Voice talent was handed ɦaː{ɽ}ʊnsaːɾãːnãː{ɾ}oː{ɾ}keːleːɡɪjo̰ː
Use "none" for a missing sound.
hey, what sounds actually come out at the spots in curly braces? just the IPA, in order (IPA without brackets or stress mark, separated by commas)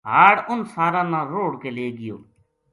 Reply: ɽ, ɾ, ɽ